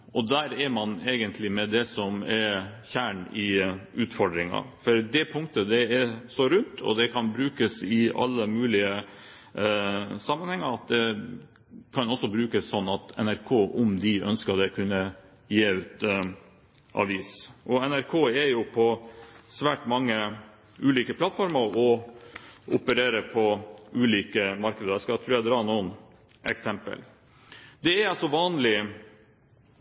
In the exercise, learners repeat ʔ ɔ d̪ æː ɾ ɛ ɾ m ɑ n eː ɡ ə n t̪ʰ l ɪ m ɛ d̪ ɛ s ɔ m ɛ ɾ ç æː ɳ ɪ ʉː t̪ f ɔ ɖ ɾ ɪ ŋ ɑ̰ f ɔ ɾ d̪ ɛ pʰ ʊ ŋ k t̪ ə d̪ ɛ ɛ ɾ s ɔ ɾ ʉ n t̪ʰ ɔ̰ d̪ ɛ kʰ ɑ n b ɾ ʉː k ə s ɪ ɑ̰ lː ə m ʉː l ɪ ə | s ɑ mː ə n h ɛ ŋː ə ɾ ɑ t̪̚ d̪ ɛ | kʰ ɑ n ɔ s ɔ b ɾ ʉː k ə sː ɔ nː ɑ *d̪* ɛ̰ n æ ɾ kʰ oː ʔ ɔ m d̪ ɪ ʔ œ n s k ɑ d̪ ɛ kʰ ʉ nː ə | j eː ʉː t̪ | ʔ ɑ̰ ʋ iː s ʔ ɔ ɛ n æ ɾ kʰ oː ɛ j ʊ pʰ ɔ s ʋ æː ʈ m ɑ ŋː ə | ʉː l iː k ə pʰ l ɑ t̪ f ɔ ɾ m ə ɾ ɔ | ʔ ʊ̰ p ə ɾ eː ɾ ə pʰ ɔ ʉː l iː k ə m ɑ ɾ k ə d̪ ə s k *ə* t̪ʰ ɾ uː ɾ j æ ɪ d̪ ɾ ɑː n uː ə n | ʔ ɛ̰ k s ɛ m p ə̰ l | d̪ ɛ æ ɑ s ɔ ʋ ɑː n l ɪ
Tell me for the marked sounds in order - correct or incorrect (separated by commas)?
incorrect, incorrect